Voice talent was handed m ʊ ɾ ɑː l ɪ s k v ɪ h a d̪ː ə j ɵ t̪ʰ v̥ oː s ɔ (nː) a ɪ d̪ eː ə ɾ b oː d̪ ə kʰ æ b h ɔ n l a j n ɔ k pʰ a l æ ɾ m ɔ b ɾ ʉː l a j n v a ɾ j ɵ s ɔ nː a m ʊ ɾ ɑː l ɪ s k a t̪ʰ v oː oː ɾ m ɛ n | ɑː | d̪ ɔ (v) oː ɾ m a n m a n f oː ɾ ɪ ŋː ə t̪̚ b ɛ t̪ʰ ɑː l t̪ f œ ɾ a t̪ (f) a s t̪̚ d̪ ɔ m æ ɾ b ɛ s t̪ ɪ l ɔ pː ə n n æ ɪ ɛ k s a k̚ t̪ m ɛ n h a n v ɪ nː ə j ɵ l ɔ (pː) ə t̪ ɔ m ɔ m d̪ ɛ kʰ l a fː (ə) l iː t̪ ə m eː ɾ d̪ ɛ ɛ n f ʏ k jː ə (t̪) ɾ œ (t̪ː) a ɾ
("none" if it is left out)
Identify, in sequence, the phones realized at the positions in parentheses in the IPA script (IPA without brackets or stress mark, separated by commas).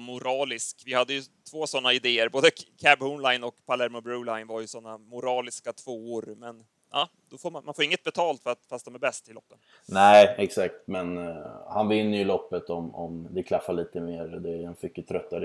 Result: nː, f, f, pː, a, t̪ʰ, t̪ː